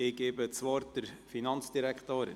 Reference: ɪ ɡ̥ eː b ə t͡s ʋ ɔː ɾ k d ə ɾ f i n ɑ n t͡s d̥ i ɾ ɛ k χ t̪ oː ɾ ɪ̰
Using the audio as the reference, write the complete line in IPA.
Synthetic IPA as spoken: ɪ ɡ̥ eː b ə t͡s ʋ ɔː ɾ t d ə ɾ f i n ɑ n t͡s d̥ i ɾ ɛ k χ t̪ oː ɾ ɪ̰